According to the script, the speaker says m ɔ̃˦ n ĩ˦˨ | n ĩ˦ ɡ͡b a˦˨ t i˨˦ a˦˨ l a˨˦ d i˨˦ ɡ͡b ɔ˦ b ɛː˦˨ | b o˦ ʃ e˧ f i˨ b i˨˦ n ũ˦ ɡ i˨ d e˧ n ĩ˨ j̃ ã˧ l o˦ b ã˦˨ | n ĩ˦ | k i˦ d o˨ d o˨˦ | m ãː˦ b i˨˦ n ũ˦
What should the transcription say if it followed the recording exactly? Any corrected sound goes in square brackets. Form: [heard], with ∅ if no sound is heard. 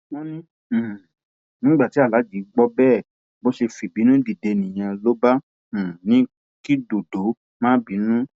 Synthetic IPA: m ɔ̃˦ n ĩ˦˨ | n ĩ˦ ɡ͡b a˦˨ t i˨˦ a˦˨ l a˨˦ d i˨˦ ɡ͡b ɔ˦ b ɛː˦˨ | b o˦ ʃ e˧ f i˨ b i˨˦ n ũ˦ [d] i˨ d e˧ n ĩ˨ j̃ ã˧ l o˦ b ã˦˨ | n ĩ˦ | k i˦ d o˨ d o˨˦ | m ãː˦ b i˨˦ n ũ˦